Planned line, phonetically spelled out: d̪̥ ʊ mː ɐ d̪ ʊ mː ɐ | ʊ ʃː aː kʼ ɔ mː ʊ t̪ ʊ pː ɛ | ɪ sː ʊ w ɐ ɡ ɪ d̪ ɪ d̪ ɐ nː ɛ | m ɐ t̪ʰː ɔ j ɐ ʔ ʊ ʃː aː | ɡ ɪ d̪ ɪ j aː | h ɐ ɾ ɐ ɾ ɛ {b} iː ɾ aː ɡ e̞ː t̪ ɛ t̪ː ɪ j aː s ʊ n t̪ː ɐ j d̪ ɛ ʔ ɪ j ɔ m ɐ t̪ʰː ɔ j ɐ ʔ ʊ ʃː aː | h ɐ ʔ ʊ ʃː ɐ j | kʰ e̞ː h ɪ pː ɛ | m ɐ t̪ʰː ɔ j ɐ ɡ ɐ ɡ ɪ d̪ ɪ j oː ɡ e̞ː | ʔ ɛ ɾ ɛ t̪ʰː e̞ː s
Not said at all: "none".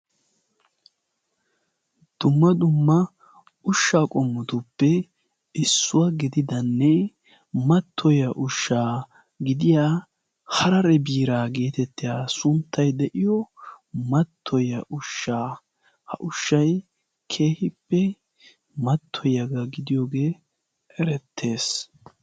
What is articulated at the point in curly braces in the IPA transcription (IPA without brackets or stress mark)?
b